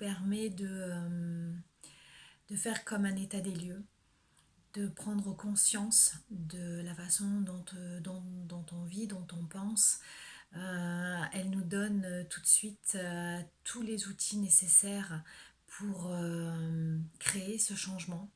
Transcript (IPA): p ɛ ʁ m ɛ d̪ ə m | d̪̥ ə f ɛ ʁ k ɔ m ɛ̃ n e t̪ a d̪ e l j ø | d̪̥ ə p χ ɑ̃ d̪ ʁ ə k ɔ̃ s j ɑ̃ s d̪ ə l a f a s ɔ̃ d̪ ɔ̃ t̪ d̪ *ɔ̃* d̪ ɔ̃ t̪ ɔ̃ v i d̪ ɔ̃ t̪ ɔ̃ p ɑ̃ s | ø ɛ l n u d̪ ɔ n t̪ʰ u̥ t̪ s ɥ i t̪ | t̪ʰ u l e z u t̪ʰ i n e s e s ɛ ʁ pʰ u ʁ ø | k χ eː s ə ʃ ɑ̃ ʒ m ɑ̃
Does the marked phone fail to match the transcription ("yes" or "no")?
no